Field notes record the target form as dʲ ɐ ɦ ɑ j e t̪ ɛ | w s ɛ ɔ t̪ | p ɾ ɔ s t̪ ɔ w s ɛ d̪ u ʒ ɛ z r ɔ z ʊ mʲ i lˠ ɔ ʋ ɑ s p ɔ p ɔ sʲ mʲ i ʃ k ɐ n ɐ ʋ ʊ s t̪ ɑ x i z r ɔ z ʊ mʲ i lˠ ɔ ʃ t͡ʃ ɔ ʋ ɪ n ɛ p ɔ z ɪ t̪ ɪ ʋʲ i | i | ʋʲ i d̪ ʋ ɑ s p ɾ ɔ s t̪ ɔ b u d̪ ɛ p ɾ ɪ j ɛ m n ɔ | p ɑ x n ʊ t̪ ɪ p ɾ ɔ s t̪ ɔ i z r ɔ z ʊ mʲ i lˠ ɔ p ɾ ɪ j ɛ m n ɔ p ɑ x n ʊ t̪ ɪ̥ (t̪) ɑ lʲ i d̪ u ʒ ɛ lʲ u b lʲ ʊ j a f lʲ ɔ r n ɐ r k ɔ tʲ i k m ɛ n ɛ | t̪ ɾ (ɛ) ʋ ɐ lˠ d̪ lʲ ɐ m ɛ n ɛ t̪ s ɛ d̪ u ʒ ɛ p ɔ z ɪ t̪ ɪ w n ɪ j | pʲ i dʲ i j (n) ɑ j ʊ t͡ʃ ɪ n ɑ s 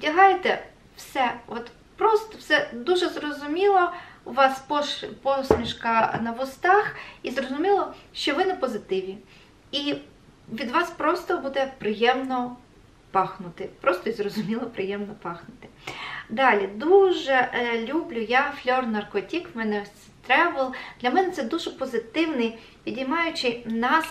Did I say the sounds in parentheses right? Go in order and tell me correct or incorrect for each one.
incorrect: d̪, correct, incorrect: m

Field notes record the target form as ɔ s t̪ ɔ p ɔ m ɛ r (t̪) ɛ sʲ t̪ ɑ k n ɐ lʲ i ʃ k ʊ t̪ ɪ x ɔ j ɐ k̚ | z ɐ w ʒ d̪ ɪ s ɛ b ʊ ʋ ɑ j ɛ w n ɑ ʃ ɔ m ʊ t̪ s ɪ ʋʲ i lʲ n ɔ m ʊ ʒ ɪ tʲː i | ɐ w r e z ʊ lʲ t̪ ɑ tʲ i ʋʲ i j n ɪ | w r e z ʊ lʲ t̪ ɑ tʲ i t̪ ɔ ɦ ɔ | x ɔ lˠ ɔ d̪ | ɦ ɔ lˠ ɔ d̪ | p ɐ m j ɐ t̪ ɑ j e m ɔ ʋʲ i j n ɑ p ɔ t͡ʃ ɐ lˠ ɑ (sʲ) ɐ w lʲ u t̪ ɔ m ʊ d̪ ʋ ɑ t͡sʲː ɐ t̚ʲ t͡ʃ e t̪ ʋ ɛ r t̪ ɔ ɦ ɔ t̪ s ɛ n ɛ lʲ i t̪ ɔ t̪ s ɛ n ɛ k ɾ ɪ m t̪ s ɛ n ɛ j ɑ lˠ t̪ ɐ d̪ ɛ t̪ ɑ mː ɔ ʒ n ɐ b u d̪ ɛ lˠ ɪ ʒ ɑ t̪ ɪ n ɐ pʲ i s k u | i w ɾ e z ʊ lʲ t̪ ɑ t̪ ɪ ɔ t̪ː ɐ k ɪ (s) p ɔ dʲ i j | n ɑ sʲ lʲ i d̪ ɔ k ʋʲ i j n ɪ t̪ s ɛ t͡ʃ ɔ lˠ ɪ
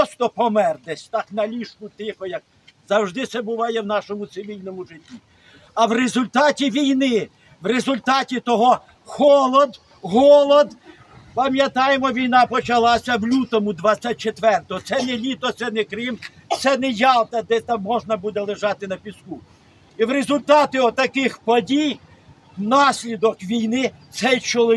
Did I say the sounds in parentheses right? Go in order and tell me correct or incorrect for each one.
incorrect: d̪, correct, incorrect: x

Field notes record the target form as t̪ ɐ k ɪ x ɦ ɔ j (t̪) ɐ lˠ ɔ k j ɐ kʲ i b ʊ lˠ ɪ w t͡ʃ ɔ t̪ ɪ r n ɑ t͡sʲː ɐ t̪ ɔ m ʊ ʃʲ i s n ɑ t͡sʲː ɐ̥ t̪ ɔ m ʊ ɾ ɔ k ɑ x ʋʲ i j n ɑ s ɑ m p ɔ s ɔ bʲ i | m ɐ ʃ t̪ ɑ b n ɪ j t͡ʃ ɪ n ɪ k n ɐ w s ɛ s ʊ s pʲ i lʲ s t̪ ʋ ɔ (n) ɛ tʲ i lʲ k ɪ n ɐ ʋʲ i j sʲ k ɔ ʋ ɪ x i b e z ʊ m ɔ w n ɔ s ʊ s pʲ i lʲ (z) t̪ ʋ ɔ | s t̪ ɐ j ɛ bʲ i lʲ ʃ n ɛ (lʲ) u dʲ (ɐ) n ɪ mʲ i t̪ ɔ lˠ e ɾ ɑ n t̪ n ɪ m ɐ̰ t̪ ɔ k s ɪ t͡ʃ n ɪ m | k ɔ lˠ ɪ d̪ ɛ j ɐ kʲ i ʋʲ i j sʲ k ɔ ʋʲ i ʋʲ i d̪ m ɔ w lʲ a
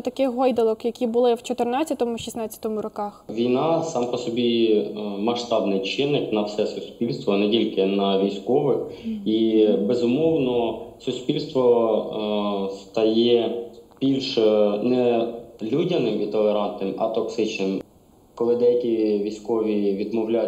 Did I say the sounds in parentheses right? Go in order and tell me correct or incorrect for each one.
incorrect: d̪, correct, incorrect: s, correct, correct

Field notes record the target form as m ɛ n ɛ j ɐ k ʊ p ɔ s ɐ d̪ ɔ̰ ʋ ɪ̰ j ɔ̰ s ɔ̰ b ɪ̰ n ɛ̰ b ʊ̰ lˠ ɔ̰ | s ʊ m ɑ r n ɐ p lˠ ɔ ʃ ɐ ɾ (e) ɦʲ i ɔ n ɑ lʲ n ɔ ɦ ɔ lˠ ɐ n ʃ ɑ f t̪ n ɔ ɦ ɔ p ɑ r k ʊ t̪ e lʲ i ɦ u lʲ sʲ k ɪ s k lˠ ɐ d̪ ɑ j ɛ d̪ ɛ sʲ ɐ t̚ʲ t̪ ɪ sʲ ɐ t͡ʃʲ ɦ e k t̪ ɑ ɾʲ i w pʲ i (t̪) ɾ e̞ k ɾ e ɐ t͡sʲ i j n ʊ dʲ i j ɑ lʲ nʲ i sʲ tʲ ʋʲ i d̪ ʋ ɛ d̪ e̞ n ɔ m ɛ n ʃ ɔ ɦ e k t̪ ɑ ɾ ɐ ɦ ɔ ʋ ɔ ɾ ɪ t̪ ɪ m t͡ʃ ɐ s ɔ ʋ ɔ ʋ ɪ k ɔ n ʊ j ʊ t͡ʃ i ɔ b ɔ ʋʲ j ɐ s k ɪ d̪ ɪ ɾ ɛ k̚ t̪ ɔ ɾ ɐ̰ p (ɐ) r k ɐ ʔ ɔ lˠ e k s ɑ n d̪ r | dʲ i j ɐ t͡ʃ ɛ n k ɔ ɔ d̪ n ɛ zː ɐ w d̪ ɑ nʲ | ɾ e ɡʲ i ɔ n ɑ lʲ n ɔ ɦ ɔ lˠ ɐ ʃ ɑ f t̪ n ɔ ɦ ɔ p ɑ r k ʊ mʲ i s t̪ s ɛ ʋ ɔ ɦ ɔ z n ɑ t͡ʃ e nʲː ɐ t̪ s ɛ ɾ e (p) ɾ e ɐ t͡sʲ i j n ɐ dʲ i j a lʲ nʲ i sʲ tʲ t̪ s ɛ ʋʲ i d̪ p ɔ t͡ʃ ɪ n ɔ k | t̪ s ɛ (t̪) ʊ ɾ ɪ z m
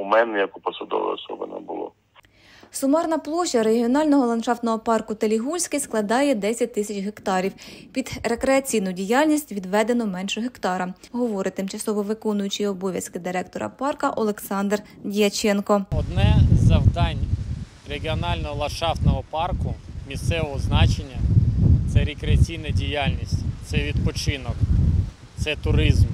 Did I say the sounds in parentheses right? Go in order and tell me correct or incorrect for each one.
correct, incorrect: d̪, incorrect: ɑ, incorrect: k, correct

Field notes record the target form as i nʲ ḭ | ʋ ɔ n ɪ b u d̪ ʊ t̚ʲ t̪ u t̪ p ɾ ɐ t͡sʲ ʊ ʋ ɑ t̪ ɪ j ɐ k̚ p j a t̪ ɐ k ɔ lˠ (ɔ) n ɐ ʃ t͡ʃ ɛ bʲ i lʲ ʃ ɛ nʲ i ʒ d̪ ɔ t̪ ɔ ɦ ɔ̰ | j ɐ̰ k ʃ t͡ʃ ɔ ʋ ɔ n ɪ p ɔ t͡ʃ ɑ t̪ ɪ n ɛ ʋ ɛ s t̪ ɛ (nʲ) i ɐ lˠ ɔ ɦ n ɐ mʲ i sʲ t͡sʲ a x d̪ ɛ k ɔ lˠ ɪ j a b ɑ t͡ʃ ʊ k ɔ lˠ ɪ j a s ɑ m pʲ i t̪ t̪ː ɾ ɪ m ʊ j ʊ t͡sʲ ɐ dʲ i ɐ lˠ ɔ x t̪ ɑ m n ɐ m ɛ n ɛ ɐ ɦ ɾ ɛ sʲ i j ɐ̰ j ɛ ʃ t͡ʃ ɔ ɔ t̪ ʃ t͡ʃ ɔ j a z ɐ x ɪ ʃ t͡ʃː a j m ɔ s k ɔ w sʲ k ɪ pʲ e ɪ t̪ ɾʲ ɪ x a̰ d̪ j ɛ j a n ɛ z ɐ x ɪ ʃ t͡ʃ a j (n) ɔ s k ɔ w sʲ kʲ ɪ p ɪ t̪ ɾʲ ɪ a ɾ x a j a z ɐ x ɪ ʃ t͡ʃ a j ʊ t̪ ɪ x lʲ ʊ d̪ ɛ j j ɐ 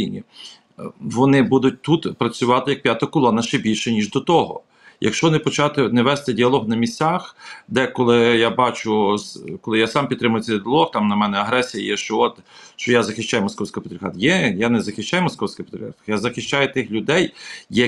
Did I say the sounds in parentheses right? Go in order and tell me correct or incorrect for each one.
correct, incorrect: dʲ, incorrect: m

